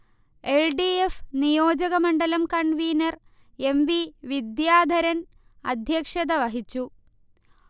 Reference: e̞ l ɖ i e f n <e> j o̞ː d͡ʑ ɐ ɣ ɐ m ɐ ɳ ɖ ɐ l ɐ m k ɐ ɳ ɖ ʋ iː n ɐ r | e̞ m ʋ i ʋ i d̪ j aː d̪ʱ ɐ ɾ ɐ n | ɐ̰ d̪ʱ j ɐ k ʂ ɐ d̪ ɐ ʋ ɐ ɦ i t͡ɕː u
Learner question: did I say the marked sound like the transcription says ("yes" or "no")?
no